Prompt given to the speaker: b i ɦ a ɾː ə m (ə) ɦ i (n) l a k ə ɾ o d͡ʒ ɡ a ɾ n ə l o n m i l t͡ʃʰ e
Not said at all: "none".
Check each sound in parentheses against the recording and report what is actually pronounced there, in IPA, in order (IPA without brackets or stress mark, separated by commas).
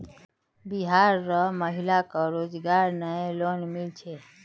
ə, none